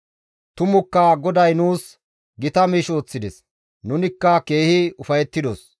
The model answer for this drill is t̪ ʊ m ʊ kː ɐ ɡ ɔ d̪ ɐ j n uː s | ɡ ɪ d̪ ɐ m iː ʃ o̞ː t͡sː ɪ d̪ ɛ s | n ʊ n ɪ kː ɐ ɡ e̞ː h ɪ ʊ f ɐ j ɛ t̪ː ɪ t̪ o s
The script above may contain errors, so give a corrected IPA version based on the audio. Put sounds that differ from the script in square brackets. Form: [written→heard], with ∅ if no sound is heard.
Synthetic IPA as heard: t̪ ʊ m ʊ kː ɐ ɡ ɔ d̪ ɐ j n uː s | ɡ ɪ [d̪→t̪] ɐ m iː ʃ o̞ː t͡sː ɪ d̪ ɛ s | n ʊ n ɪ kː ɐ [ɡ→k] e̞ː h ɪ ʊ f ɐ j ɛ t̪ː ɪ [t̪→d̪] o s